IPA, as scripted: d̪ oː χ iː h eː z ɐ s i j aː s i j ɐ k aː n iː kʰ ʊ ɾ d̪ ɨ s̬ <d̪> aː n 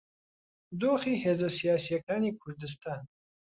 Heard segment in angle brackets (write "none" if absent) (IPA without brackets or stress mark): t̪